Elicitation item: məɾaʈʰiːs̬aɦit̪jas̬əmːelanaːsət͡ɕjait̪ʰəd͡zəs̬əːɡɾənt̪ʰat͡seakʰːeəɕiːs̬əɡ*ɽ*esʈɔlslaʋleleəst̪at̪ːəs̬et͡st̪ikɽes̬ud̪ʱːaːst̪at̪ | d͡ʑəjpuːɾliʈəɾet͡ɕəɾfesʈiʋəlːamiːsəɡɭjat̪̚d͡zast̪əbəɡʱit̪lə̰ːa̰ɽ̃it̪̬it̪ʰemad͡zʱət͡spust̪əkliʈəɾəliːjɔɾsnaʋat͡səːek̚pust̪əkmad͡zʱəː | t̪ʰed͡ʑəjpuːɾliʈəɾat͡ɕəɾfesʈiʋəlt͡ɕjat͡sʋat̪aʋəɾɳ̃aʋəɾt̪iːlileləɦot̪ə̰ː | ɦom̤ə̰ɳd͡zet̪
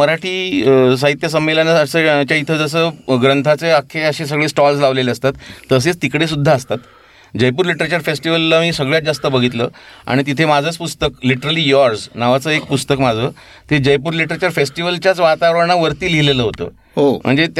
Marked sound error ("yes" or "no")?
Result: yes